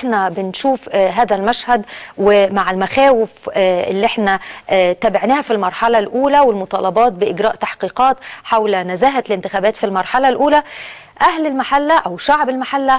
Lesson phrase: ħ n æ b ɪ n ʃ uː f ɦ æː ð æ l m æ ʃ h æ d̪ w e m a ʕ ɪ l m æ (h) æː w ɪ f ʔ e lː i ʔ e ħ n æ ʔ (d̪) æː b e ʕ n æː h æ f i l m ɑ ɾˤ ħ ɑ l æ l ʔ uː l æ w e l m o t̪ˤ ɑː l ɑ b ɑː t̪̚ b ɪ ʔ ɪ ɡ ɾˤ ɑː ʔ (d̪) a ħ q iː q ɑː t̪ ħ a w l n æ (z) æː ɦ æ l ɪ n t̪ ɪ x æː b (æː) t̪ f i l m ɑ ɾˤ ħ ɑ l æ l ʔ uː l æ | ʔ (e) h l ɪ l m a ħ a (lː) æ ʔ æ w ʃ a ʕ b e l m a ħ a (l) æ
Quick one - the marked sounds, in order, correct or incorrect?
incorrect: x, incorrect: t̪, incorrect: t̪, correct, correct, incorrect: æ, correct, incorrect: lː

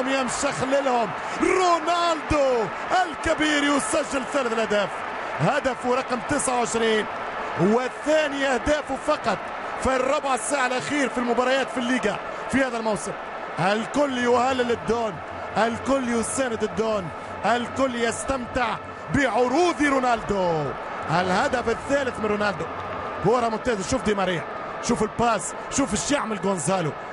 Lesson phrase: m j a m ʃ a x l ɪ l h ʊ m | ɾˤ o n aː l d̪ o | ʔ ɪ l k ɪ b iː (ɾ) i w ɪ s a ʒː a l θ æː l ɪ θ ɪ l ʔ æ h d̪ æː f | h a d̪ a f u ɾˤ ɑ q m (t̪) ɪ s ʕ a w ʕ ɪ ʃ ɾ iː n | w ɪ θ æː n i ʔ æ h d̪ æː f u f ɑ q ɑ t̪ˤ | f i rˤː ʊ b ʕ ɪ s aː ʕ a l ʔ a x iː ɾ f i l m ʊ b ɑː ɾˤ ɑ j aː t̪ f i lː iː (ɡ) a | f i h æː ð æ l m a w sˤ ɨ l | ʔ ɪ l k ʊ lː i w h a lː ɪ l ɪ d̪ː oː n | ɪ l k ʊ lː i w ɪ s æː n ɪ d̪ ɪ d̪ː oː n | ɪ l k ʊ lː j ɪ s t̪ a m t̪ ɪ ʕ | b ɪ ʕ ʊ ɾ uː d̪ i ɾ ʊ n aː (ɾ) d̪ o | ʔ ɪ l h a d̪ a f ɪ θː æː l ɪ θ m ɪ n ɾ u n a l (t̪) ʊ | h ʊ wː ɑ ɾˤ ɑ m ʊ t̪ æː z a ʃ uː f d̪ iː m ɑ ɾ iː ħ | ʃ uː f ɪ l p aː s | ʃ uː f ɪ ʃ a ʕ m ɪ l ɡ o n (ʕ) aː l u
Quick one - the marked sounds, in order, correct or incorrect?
correct, correct, correct, incorrect: l, incorrect: d̪, incorrect: z

